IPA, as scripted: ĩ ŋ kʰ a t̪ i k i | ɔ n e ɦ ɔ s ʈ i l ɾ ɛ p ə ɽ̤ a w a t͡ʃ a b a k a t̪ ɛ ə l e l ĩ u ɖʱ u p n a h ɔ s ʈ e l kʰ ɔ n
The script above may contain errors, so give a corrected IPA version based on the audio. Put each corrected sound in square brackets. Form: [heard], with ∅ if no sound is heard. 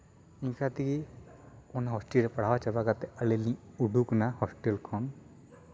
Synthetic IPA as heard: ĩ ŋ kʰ a t̪ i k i | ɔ n [a] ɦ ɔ s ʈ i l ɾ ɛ p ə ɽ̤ a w a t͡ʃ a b a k a t̪ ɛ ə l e l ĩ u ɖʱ u [k] n a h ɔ s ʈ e l kʰ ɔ n